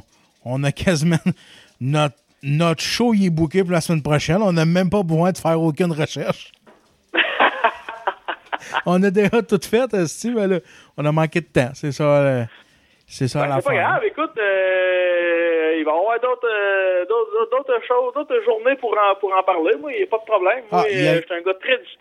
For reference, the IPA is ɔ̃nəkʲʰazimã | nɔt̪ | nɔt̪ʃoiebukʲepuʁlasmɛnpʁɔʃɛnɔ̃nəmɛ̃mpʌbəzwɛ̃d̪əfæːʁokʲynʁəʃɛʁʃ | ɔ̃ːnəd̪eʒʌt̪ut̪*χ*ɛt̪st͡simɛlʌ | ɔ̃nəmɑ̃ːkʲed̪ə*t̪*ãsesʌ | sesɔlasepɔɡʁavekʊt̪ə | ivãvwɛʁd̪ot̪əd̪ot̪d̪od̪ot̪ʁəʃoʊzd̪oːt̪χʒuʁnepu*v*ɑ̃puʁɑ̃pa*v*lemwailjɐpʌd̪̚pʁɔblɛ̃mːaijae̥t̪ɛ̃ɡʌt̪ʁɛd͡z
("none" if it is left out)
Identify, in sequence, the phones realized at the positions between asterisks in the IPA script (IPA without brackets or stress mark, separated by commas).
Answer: f, t̪, ʁ, ʁ